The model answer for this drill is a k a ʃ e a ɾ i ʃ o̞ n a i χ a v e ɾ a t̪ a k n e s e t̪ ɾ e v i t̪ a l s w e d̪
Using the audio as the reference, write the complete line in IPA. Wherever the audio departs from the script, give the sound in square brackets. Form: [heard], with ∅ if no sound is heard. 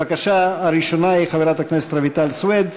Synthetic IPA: a k a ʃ [a] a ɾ i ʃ o̞ n a i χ a v e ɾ a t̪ a k n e s e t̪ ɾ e v i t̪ a l s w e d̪